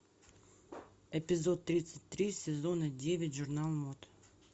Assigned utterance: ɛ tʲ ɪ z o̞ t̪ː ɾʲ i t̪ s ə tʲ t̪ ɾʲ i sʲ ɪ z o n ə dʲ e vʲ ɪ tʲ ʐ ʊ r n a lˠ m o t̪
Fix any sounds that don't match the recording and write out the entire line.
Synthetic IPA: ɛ pʲ ɪ z o̞ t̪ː ɾʲ i t̪ s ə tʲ t̪ ɾʲ i sʲ ɪ z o n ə dʲ e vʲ ɪ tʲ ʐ ʊ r n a lˠ m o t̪